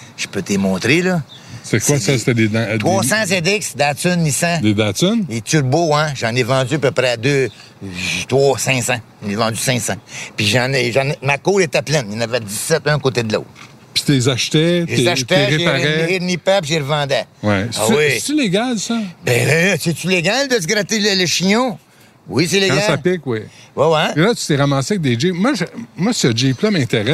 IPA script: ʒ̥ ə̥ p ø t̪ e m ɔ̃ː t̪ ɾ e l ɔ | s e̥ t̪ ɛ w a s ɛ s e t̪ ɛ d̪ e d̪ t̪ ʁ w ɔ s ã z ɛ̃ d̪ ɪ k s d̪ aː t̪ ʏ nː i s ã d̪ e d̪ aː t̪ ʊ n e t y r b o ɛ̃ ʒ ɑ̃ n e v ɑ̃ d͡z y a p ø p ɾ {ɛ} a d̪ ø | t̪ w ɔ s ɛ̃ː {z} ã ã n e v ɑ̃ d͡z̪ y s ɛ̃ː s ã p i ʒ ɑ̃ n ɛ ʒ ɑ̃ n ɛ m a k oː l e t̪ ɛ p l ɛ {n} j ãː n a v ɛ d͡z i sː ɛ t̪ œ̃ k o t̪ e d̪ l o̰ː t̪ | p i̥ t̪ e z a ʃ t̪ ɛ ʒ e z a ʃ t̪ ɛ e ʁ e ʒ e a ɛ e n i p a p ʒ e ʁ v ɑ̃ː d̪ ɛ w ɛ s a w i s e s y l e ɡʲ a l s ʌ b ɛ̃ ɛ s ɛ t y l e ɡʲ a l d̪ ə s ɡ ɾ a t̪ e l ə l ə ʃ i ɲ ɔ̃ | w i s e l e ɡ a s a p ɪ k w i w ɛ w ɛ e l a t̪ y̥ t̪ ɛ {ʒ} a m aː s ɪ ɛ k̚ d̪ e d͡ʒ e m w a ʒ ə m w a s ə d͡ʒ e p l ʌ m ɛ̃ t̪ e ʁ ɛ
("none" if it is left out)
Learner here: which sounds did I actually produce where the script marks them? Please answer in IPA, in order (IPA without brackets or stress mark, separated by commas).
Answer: ɛ, s, n, ʁ